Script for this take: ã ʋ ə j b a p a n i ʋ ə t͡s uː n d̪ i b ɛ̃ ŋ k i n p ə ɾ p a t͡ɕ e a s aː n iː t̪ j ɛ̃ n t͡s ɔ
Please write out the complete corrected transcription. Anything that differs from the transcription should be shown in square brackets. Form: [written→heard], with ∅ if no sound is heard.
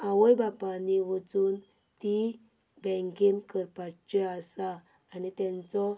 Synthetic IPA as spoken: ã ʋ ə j b a p a n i ʋ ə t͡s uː n [d̪→t̪] i b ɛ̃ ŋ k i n [p→k] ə ɾ p a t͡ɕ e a s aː n [iː→i] t̪ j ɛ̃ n t͡s ɔ